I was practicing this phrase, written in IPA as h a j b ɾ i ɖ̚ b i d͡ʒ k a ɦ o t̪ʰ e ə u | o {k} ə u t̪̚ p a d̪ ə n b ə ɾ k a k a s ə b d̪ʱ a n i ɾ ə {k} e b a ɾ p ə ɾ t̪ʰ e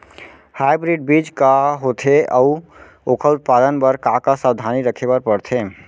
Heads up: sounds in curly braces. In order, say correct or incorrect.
incorrect: kʰ, incorrect: kʰ

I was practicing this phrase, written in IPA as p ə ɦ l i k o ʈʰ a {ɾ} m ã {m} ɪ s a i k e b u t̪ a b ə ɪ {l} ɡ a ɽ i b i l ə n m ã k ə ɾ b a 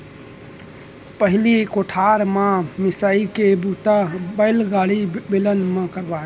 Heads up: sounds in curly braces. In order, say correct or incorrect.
correct, correct, correct

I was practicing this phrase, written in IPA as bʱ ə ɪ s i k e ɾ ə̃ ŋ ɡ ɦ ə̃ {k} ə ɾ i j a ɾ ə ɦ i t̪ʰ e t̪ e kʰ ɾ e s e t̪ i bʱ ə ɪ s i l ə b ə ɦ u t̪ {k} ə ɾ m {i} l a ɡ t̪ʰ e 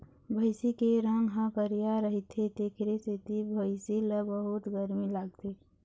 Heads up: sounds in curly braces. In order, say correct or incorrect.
correct, incorrect: ɡ, correct

